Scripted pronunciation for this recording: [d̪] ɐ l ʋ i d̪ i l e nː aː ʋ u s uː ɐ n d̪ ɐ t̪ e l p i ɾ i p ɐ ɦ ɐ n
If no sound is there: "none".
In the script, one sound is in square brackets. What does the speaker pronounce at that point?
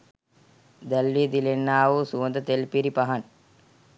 d̪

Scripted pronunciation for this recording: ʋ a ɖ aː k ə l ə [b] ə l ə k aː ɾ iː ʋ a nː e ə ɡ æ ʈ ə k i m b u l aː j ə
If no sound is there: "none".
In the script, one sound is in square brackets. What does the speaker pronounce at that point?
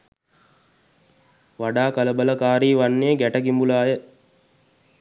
b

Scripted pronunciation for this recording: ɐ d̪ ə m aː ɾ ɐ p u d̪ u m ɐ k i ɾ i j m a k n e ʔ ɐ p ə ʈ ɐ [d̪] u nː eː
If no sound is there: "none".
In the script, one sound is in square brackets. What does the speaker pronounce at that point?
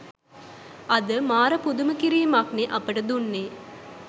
d̪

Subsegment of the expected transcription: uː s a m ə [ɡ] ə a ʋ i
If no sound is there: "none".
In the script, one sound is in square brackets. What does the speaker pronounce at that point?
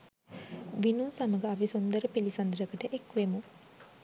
ɡ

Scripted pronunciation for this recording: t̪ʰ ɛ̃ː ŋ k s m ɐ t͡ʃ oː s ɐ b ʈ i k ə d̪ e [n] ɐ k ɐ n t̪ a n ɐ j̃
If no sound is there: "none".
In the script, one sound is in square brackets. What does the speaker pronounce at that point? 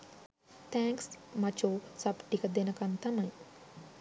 n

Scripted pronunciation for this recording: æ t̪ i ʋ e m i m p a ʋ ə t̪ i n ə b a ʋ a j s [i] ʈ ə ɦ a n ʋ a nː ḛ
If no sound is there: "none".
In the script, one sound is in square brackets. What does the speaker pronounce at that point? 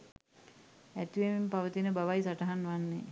a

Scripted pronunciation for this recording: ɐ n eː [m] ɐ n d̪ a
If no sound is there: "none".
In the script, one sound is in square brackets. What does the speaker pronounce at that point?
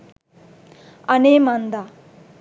m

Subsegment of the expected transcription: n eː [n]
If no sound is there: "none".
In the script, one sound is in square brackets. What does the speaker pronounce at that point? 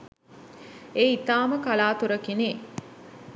none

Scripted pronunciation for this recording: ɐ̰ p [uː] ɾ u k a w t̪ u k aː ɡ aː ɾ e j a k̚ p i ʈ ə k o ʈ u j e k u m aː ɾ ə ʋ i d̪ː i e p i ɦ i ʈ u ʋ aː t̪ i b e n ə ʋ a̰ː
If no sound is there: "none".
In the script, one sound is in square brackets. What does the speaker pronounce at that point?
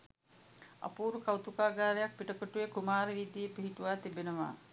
uː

